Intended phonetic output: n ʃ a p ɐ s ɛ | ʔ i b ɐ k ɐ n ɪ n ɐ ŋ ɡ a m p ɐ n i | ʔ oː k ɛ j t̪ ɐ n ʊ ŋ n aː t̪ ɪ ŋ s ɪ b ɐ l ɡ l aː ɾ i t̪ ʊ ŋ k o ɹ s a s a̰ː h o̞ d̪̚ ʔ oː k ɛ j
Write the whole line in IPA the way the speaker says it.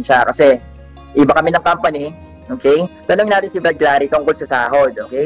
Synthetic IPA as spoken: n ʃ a k ɐ s ɛ | ʔ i b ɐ k ɐ m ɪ n ɐ ŋ k a m p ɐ n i | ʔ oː k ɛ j t̪ ɐ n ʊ ŋ n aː t̪ ɪ n s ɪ b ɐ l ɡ l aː ɾ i t̪ ʊ ŋ k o l s ɐ s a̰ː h o̞ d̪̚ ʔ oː k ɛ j